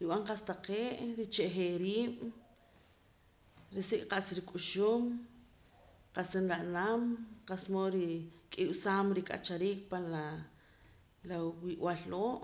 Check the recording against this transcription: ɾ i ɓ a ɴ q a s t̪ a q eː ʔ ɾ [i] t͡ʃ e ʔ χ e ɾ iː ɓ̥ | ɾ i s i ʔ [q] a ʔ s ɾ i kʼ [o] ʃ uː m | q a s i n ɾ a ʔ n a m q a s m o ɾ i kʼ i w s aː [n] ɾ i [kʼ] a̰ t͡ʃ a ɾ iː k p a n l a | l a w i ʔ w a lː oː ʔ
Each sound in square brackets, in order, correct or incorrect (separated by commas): correct, correct, incorrect, incorrect, correct